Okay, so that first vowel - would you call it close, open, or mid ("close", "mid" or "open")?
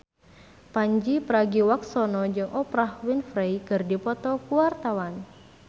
open